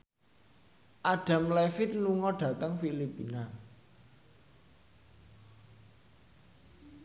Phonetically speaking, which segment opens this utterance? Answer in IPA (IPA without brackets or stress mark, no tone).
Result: ʔ